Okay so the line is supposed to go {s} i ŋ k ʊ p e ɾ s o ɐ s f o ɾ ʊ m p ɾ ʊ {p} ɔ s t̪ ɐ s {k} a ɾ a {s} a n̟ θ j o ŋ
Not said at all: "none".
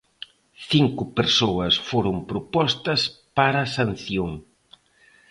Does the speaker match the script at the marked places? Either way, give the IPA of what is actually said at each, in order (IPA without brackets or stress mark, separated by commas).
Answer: θ, p, p, s